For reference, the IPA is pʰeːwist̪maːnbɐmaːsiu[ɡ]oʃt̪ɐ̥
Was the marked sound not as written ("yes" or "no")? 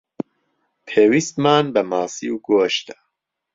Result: no